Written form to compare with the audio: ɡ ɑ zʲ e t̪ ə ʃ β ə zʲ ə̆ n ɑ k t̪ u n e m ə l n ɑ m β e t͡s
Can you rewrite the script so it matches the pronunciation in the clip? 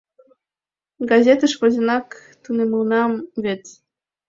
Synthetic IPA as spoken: ɡ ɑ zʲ e t̪ ə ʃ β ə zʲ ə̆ n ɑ k t̪ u n e m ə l n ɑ m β e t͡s